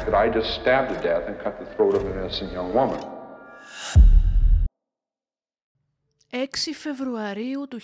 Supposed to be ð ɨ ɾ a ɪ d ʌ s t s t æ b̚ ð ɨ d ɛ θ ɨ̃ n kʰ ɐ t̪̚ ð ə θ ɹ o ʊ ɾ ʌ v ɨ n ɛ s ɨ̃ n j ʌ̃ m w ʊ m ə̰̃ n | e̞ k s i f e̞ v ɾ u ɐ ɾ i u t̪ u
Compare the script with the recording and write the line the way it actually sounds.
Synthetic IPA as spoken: ð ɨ ɾ a ɪ d͡ʒ ʌ s t s t æ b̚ ð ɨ d ɛ θ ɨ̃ n kʰ ʌ t̪̚ ð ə θ ɹ o ʊ ɾ ʌ v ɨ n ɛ s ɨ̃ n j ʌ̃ ŋ w ʊ m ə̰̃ n | e̞ k s i f e̞ v ɾ u ɐ ɾ i u t̪ u